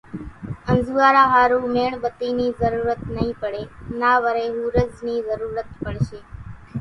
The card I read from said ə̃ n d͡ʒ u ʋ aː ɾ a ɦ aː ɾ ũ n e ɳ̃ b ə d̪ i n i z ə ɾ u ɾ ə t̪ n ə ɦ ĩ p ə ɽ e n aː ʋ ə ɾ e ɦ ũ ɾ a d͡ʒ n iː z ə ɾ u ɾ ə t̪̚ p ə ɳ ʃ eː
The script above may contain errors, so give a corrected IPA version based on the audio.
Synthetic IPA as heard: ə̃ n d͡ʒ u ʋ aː ɾ a ɦ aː ɾ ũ m e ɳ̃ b ə t̪ i n i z ə ɾ u ɾ ə t̪ n ə ɦ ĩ p ə ɽ e n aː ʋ ə ɾ e ɦ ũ ɾ ə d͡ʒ n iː z ə ɾ u ɾ ə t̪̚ p ə ɳ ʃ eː

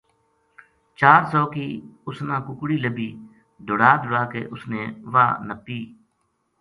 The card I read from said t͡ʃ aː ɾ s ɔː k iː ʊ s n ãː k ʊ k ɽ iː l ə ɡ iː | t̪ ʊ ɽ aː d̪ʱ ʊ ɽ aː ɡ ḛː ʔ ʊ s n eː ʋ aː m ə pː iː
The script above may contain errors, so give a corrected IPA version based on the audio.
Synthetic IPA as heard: t͡ʃ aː ɾ s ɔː k iː ʊ s n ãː k ʊ k ɽ iː l ə b iː | d̪ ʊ ɽ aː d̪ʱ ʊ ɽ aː k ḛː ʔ ʊ s n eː ʋ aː n ə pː iː

